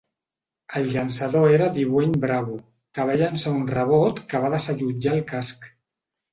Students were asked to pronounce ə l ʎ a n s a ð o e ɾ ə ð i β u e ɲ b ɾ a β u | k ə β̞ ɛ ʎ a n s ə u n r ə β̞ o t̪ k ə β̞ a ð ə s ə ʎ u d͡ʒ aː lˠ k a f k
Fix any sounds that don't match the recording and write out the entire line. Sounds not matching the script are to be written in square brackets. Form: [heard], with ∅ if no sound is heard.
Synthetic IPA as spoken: ə l ʎ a n s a ð o e ɾ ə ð i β [w] e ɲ b ɾ a β u | k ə β̞ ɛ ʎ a n s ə u n r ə β̞ o t̪ k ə β̞ a ð ə s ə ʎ u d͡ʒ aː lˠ k a [s] k